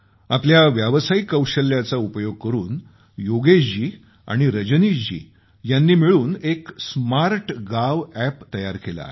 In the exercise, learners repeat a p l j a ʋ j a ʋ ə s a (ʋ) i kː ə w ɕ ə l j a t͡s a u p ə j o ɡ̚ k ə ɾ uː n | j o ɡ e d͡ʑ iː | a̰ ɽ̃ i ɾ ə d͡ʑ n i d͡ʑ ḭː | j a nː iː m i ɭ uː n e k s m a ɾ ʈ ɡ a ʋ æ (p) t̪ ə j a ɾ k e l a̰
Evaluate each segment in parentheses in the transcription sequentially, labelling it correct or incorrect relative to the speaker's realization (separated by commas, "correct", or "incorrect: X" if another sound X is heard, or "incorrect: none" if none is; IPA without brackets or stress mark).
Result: incorrect: none, correct